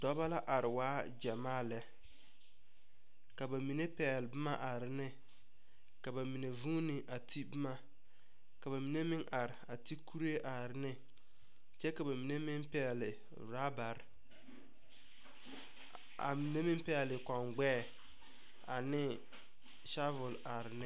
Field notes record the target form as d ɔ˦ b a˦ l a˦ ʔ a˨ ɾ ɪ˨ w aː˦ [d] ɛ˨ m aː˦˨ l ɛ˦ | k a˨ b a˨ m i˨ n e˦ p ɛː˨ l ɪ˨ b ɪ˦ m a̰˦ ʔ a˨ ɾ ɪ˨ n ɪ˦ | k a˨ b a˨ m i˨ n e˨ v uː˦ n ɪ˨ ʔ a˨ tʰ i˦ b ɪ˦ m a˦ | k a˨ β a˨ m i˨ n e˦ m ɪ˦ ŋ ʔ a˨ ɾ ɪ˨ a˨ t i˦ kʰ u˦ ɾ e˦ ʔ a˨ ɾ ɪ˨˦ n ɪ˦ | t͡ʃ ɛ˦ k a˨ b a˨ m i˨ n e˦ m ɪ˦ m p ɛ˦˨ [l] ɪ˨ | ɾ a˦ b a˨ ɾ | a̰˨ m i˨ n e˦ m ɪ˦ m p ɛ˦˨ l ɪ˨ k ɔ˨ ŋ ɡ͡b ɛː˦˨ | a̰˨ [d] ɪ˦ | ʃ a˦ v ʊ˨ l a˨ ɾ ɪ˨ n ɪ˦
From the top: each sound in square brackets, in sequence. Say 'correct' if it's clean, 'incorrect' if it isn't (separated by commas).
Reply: incorrect, correct, incorrect